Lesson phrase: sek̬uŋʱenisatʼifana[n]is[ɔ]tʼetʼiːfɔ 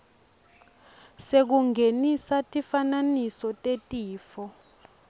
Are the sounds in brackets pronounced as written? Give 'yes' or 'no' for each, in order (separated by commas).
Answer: yes, yes